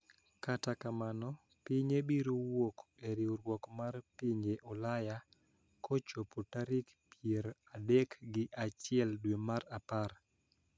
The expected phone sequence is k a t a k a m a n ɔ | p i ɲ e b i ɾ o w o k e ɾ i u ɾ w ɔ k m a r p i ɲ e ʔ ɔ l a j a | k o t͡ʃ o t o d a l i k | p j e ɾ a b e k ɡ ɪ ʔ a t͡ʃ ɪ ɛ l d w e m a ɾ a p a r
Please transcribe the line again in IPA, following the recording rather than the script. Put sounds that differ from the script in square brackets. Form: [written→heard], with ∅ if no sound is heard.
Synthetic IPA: k a t a k a m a n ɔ | p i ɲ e b i ɾ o w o k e ɾ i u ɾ w ɔ k m a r p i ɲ e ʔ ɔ l a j a | k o t͡ʃ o [t→p] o [d→t] a [l→ɾ] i k | p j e ɾ a [b→d] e k ɡ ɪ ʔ a t͡ʃ ɪ ɛ l d w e m a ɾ a p a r